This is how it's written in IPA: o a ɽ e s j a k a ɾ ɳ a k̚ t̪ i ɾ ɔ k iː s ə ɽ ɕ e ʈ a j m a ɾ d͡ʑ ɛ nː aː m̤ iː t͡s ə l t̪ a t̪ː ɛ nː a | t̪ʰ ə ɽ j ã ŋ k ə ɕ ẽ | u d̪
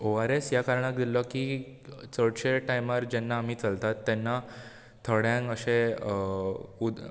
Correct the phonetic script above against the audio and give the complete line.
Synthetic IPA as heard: o a ɾ e s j a k a ɾ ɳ a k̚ d̪ i l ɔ k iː t͡s ə ɽ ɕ e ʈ a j m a ɾ d͡ʑ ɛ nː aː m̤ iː t͡s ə l t̪ a t̪ː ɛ nː a | t̪ʰ ə ɽ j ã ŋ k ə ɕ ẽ | u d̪